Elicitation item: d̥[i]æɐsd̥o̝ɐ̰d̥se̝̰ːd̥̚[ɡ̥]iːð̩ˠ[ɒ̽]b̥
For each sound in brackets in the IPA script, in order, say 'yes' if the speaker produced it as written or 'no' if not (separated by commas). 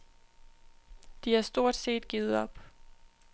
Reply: yes, yes, yes